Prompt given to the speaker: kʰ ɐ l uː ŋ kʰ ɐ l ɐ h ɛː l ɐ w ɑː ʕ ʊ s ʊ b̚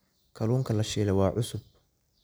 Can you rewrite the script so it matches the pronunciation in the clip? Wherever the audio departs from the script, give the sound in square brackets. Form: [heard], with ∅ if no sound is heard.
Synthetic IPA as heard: kʰ ɐ l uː ŋ kʰ ɐ l ɐ [ʃ] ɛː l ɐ w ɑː ʕ ʊ s ʊ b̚

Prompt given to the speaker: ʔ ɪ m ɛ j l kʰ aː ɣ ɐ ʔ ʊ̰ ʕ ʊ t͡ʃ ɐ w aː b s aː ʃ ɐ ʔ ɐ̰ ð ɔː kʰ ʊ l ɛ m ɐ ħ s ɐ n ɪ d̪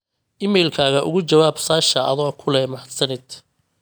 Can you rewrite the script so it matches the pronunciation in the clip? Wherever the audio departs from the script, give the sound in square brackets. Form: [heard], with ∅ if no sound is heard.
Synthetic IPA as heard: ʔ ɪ m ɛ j l kʰ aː ɣ ɐ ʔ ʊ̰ [ɣ] ʊ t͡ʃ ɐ w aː b s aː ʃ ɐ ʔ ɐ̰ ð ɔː kʰ ʊ l ɛ m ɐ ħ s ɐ n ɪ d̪

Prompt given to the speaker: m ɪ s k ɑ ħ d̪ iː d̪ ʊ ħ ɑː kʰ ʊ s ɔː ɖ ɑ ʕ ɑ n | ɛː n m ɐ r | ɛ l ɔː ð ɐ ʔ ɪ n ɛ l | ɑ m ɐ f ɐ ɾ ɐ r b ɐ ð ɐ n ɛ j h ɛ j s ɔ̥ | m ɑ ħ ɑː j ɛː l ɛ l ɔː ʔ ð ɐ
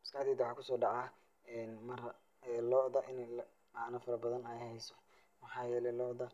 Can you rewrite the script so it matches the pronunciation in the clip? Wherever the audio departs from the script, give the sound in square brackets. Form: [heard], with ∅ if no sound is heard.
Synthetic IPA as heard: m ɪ s k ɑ ħ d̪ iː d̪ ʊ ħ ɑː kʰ ʊ s ɔː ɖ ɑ ʕ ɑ [∅] | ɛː n m ɐ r | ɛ l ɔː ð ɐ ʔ ɪ n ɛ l | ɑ [n] ɐ f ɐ ɾ ɐ [∅] b ɐ ð ɐ n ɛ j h ɛ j s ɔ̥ | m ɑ ħ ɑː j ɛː l ɛ l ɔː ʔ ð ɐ

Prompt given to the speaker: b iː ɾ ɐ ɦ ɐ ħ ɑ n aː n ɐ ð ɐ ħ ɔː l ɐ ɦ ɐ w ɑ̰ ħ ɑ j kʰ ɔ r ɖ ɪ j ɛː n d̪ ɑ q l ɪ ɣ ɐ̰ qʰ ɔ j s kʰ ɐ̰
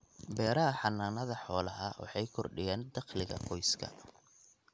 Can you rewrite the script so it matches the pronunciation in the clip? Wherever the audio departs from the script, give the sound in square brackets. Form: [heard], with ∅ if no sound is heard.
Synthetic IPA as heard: b [ɛː] ɾ ɐ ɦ ɐ ħ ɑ n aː n ɐ ð ɐ ħ ɔː l ɐ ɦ ɐ w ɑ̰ ħ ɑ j kʰ ɔ r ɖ ɪ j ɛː n d̪ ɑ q l ɪ ɣ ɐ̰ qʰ ɔ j s kʰ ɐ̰

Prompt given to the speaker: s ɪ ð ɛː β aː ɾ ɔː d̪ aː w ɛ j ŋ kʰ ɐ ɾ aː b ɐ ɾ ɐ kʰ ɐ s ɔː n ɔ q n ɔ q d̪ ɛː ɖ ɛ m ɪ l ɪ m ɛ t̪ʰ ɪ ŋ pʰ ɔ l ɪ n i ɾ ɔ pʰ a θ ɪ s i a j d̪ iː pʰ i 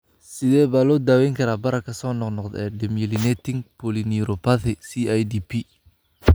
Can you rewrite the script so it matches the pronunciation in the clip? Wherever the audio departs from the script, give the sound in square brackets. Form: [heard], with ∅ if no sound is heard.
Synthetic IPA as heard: s ɪ ð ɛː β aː [l] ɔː d̪ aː w ɛ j ŋ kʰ ɐ ɾ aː b ɐ ɾ ɐ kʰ ɐ s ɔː n ɔ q n ɔ q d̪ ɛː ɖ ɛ m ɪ l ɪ [n] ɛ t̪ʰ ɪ ŋ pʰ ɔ l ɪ n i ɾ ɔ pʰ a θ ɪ s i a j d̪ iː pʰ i

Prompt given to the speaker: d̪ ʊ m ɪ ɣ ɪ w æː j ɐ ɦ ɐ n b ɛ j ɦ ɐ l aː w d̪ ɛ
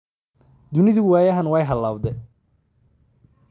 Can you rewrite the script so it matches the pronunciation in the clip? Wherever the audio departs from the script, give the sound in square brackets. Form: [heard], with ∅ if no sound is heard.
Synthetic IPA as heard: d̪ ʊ [n] ɪ [ð] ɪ w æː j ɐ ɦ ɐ n [w] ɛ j ɦ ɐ l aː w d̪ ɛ

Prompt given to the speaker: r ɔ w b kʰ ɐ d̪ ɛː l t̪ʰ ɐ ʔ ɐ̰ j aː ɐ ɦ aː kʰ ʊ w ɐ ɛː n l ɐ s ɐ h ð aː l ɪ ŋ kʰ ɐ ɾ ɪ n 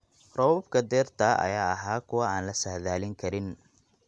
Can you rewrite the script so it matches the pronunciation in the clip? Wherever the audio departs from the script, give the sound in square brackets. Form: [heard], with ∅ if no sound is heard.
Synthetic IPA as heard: r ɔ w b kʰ ɐ d̪ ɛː [r] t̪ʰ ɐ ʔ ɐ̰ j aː ɐ ɦ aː kʰ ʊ w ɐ [aː] n l ɐ s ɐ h ð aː l ɪ ŋ kʰ ɐ ɾ ɪ n

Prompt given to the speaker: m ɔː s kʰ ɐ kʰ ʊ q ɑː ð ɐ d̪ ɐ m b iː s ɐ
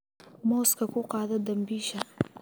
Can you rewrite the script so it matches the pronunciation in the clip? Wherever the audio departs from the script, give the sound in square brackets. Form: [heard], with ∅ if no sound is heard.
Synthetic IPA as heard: m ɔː s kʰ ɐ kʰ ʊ q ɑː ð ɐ d̪ ɐ m b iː [ʃ] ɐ

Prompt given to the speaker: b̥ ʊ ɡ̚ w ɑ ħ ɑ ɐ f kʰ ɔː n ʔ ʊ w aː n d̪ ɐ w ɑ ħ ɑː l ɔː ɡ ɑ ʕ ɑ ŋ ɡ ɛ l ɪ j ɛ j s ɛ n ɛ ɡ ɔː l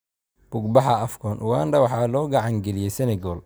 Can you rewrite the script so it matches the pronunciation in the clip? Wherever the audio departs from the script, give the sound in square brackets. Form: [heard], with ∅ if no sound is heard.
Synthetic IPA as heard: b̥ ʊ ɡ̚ [b] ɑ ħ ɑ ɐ f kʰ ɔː n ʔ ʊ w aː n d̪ ɐ w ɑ ħ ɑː l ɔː ɡ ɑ ʕ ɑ ŋ ɡ ɛ l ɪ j ɛ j s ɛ n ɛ ɡ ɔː l

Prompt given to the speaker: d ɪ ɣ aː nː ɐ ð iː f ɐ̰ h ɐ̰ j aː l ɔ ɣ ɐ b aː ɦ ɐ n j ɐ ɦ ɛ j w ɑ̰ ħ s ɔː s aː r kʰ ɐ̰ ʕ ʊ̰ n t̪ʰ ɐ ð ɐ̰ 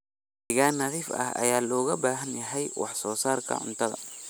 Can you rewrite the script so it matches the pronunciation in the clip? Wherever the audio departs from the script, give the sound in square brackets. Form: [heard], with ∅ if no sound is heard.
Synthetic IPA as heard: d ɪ ɣ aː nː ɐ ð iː f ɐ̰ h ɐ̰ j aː l [ɔː] ɣ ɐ b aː ɦ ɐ n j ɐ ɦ ɛ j w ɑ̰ ħ s ɔː s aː r kʰ ɐ̰ ʕ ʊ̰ n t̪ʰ ɐ ð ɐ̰

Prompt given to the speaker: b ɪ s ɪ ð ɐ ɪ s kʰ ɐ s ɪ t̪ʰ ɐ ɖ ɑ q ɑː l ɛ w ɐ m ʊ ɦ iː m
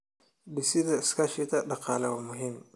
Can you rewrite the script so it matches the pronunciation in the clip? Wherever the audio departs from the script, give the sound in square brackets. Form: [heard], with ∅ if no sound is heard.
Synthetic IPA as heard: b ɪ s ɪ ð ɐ ɪ s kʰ ɐ [ʃ] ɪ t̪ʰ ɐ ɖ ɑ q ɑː l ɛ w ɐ m ʊ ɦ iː m

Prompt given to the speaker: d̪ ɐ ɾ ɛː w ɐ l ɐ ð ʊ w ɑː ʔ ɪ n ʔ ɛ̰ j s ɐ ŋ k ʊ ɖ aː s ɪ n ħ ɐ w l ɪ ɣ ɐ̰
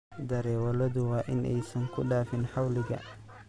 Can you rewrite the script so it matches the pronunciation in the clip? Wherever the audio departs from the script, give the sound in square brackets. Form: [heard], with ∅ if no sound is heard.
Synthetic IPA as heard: d̪ ɐ ɾ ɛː w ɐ l ɐ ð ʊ w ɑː ʔ ɪ n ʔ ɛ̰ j s ɐ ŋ [kʰ] ʊ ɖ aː [f] ɪ n ħ [ɑ] w l ɪ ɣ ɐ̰

